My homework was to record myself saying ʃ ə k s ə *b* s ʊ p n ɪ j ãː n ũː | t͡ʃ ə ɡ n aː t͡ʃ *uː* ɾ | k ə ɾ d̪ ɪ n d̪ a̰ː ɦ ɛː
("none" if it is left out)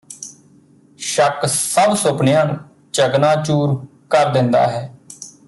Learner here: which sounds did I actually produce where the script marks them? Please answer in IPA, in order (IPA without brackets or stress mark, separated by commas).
b, uː